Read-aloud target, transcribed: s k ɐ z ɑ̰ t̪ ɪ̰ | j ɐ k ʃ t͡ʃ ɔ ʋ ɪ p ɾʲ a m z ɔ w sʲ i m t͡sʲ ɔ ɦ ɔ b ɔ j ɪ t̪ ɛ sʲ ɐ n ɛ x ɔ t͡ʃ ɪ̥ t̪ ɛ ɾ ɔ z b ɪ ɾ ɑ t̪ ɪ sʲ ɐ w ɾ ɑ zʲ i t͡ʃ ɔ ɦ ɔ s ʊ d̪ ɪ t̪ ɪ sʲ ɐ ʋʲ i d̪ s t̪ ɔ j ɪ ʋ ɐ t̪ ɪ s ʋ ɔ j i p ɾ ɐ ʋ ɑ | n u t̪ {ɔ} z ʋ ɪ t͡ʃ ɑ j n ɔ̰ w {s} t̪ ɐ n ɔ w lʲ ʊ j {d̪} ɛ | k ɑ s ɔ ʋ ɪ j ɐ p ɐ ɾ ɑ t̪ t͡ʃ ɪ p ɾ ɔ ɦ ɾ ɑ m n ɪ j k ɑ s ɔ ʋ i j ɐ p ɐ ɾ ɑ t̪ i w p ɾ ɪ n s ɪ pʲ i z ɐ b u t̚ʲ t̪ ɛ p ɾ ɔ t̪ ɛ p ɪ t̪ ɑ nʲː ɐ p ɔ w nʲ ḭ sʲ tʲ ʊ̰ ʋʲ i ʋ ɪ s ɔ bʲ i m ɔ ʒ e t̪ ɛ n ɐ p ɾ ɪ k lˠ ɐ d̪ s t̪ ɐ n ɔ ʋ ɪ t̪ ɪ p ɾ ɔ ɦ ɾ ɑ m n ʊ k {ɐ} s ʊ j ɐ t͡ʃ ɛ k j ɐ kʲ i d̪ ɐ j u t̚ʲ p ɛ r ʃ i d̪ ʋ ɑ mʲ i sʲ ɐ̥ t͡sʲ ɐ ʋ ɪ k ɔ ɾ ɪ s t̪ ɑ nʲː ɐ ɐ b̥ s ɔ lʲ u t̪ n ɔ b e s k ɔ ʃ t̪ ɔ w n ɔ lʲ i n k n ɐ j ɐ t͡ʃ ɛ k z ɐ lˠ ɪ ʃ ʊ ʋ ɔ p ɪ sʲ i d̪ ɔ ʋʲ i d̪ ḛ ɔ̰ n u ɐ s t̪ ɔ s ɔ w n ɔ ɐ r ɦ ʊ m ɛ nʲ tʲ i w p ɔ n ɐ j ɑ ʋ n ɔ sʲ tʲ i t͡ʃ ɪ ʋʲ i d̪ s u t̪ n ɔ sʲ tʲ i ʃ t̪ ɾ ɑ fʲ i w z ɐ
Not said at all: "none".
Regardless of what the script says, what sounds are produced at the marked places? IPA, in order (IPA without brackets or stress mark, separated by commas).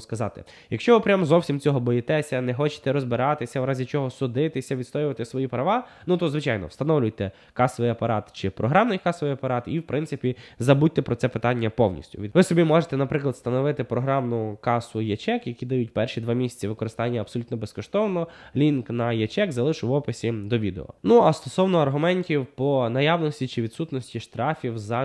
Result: ɔ, s, t̪, ɑ